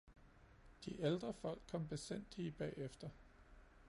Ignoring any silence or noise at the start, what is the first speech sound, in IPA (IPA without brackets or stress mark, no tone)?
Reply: d̥